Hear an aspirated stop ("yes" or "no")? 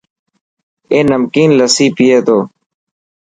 no